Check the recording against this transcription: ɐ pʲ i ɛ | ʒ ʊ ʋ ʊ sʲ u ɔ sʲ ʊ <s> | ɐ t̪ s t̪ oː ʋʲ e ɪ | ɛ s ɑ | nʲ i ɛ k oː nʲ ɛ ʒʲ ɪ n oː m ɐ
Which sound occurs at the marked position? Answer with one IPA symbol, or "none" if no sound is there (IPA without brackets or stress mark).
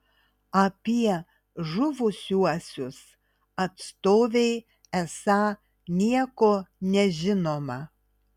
s